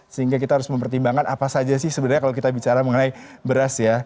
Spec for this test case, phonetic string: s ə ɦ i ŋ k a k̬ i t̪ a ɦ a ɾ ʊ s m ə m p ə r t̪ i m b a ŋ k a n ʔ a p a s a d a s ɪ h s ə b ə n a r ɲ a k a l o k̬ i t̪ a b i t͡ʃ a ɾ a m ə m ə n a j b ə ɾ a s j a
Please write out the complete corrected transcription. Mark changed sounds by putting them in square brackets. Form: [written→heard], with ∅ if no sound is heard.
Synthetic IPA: s ə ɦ i ŋ [k→ɡ] a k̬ i t̪ a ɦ a ɾ ʊ s m ə m p ə r t̪ i m b a ŋ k a n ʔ a p a s a [d→d͡ʒ] a s ɪ h s ə b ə n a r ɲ a k a l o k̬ i t̪ a b i t͡ʃ a ɾ a m ə [m→ŋ] ə n a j b ə ɾ a s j a